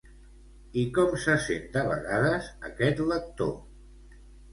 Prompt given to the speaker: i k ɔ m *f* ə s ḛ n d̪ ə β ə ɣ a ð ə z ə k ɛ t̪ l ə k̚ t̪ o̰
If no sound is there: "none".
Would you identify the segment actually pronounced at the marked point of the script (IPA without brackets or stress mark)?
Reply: s